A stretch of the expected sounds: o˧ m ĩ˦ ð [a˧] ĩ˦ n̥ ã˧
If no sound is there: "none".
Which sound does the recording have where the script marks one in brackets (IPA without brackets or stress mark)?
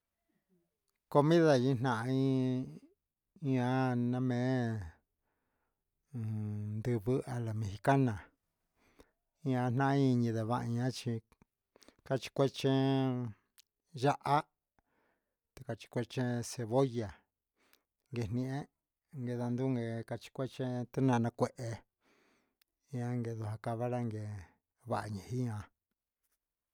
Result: a˧